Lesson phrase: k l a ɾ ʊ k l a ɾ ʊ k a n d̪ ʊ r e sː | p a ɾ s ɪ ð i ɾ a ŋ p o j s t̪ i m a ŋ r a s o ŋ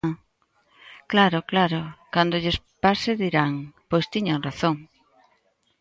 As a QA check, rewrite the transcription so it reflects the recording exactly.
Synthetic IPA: k l a ɾ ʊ k l a ɾ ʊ k a n d̪ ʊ ʎ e s | p a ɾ s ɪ ð i ɾ a ŋ p o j s t̪ i ɲ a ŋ r a θ o ŋ